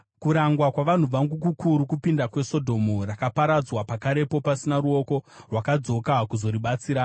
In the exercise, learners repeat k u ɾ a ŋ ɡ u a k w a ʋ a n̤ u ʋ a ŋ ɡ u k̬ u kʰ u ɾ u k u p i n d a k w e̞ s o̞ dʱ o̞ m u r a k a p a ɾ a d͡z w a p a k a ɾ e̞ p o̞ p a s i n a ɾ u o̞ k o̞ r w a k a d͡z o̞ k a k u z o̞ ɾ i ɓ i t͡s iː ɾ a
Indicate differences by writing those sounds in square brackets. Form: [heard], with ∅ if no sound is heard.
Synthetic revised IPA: k u ɾ a ŋ ɡ [w] a k w a ʋ a n̤ u ʋ a ŋ ɡ u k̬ u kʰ u ɾ u k u p i n d a k w e̞ s o̞ dʱ o̞ m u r a k a p a ɾ a d͡z w a p a k a ɾ e̞ p o̞ p a s i n a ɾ u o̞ k o̞ r w a k a d͡z o̞ k a k u z o̞ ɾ i ɓ [a] t͡s iː ɾ a